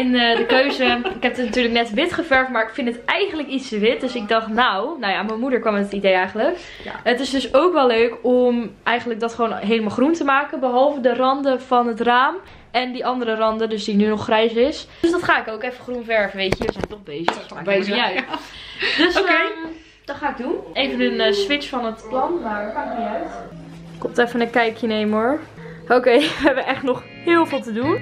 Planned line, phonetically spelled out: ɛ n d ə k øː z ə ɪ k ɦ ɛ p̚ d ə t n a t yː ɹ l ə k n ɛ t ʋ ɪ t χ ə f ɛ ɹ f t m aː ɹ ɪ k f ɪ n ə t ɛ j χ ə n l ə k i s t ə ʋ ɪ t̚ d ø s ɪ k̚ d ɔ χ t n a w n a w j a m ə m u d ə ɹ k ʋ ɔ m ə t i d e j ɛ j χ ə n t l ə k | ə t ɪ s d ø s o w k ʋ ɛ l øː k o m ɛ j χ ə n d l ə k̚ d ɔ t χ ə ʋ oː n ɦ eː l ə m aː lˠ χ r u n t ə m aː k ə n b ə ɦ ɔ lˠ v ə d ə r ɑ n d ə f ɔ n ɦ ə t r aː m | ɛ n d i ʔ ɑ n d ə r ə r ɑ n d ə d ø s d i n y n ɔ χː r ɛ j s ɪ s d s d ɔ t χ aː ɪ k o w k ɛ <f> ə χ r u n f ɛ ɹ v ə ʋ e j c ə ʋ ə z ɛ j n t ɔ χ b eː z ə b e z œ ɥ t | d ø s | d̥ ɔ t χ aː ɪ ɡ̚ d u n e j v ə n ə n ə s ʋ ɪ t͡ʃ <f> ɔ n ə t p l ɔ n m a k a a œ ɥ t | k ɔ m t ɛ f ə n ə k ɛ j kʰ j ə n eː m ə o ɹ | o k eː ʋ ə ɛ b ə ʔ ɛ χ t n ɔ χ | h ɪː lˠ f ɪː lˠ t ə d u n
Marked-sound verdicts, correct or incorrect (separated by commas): correct, correct